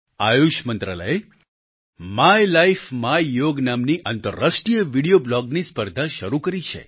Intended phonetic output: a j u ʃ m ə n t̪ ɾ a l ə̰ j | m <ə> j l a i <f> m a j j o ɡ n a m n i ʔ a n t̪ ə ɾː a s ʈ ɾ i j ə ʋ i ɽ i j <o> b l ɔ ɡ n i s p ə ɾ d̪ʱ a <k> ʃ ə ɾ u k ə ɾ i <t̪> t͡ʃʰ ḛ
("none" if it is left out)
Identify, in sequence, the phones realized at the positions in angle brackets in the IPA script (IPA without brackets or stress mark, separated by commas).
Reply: a, f, o, none, none